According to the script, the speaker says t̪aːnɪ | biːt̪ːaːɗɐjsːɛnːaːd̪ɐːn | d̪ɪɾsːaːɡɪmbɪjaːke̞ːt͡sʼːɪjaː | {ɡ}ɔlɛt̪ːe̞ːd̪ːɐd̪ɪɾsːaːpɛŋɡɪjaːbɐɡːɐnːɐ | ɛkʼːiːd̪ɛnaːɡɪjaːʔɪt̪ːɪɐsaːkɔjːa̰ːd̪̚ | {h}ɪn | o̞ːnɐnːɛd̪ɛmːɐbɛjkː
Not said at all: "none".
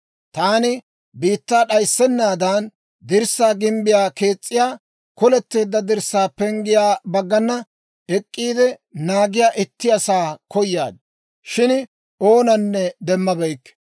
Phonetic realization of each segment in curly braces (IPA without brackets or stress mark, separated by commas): k, ʃ